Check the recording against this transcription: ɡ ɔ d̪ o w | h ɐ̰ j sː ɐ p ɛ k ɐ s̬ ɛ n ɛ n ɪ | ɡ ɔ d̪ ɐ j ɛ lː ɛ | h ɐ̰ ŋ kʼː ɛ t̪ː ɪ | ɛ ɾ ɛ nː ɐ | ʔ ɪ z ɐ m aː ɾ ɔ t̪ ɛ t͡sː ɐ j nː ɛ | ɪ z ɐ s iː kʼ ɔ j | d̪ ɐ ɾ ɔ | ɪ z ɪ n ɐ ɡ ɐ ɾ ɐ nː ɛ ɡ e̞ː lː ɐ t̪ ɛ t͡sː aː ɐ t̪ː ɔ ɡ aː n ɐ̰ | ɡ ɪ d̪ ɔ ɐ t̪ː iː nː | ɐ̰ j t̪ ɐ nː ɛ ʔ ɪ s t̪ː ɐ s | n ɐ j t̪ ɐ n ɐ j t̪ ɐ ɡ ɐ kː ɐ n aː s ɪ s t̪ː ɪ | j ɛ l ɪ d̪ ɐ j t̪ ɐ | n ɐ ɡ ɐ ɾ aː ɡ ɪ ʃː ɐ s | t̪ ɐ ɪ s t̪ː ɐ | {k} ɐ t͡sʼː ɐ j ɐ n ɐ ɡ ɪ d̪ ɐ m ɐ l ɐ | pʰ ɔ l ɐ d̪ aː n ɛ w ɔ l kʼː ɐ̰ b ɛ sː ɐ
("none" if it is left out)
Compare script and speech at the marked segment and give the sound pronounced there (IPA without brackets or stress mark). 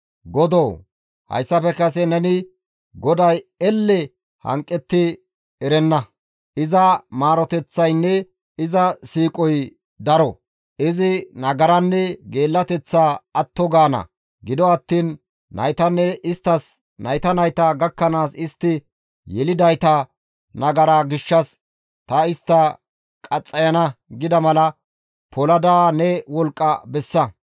kʼ